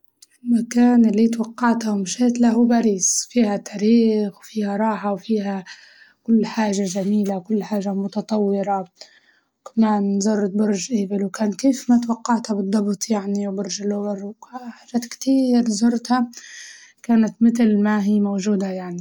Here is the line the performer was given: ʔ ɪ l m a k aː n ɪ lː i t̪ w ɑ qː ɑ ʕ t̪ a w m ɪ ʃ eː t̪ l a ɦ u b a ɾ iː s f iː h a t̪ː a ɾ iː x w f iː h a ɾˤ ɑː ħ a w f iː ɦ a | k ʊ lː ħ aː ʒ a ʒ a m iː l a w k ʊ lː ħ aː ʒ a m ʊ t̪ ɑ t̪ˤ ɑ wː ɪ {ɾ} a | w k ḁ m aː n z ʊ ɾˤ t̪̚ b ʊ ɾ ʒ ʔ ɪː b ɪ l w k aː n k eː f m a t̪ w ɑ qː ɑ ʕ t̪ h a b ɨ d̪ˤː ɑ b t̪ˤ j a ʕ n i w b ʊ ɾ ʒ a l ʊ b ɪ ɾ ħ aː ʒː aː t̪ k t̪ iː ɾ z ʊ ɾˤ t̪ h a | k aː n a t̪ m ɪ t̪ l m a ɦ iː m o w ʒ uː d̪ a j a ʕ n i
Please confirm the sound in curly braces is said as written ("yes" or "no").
yes